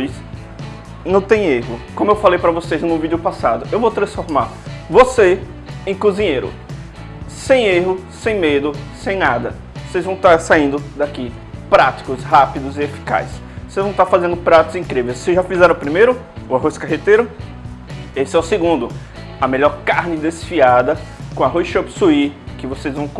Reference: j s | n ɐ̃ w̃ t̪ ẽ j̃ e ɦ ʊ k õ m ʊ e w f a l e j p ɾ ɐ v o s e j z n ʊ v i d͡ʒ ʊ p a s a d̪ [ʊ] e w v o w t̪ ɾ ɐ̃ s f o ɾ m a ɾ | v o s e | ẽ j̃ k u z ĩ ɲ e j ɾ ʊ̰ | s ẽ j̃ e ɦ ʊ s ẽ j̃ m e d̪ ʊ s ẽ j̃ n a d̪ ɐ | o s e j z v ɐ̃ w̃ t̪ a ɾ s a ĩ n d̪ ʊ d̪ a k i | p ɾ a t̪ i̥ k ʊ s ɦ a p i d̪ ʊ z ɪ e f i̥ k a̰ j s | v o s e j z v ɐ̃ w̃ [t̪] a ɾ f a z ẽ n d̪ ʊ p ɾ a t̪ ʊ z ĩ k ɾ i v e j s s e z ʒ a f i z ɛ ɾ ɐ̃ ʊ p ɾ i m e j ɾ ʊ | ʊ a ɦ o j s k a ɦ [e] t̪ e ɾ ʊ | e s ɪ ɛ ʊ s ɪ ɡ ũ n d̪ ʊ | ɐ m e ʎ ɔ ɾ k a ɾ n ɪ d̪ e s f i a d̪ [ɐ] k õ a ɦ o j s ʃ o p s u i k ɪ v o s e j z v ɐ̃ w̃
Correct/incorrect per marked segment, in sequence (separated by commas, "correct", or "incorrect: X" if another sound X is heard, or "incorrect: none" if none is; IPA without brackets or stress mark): correct, correct, correct, correct